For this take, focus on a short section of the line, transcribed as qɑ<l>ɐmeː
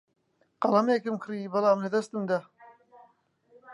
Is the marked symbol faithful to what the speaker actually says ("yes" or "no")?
yes